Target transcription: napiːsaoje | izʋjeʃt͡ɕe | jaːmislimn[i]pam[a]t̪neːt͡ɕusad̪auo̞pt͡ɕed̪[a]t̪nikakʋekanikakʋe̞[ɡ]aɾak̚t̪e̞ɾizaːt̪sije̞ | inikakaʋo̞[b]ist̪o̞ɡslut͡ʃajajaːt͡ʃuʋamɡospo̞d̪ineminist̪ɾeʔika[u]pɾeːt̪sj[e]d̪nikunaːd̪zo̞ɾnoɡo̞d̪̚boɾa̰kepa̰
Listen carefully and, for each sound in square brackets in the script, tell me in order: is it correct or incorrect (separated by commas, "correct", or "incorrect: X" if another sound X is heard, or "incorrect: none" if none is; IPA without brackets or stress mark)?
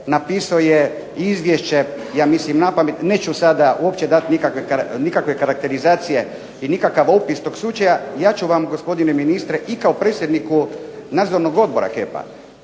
incorrect: a, incorrect: e, correct, incorrect: k, incorrect: p, incorrect: o, correct